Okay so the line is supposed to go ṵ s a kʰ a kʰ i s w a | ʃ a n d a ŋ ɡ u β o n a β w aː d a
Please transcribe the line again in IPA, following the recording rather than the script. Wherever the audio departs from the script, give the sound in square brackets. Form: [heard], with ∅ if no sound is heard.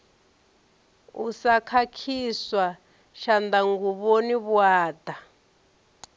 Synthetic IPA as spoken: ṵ s a kʰ a kʰ i s w a | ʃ a n d a ŋ ɡ u β o n [i] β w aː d a